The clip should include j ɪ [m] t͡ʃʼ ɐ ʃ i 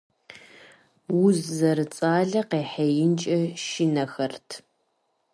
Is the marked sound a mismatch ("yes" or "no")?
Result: yes